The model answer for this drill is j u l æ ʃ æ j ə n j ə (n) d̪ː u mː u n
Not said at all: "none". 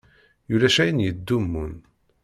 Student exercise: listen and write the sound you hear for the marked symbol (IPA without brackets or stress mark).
none